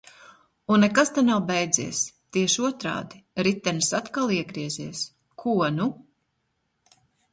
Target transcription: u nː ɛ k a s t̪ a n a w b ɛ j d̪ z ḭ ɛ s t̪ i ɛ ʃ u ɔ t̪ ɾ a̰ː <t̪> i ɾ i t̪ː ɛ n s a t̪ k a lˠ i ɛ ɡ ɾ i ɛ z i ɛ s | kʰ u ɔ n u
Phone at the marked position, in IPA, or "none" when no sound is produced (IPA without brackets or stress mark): d̪